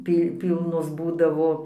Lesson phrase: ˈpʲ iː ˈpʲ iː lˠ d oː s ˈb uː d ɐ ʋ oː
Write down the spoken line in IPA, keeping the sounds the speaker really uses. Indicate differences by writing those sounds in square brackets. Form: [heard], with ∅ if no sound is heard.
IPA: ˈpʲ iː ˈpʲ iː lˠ [n] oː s ˈb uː d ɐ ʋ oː

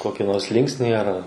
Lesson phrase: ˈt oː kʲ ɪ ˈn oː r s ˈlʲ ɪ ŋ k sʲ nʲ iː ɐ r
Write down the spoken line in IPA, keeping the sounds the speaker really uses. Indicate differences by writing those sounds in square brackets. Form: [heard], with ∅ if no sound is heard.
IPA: [ˈk] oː kʲ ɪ ˈn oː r s ˈlʲ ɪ ŋ k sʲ nʲ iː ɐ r

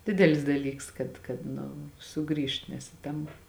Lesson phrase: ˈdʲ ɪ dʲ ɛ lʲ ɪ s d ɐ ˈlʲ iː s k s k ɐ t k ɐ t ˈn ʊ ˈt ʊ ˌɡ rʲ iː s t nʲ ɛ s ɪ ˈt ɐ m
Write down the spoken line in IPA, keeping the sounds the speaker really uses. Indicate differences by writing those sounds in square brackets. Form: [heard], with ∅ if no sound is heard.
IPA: ˈdʲ ɪ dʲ ɛ lʲ ɪ s d ɐ ˈlʲ iː [∅] k s k ɐ t k ɐ t ˈn ʊ [ˈs] ʊ ˌɡ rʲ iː [ʃ] t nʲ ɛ s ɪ ˈt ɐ m

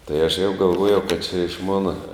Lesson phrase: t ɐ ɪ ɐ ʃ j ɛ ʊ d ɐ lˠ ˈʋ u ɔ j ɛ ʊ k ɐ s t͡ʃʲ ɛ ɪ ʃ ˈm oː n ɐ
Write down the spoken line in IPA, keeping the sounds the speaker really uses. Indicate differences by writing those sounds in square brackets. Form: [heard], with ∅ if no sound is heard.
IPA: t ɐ ɪ ɐ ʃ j ɛ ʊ [ɡ] ɐ lˠ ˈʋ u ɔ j ɛ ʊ k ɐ [t] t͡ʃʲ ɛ ɪ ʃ ˈm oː n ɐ

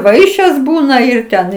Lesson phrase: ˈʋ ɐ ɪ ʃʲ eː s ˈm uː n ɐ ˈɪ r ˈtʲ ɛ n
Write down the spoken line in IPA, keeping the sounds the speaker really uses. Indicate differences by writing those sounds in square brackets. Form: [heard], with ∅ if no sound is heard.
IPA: ˈʋ ɐ ɪ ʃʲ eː s [ˈb] uː n ɐ ˈɪ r ˈtʲ ɛ n

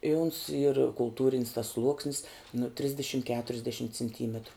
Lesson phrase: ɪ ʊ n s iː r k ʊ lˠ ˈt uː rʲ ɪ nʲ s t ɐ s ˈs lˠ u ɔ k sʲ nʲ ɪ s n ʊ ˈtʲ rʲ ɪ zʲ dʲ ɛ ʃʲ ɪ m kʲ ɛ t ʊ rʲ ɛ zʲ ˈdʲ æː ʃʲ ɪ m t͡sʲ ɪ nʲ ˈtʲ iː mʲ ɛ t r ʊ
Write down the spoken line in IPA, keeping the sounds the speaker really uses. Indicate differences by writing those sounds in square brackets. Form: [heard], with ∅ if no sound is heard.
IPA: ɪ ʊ n s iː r k ʊ lˠ ˈt uː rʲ ɪ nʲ s t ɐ s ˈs lˠ u ɔ k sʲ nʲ ɪ s n ʊ ˈtʲ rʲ ɪ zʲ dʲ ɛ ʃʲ ɪ m kʲ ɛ t ʊ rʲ ɛ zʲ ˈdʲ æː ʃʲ ɪ m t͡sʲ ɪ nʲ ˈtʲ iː mʲ ɛ t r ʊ

